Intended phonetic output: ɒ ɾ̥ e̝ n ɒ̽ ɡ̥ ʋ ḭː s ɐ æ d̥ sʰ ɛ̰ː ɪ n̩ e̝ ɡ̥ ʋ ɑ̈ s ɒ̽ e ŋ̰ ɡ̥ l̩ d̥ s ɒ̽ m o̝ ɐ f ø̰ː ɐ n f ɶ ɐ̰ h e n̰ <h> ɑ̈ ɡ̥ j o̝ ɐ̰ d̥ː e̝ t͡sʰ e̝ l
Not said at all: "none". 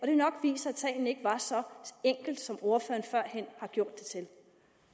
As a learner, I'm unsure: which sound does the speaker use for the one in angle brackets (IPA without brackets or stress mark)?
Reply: h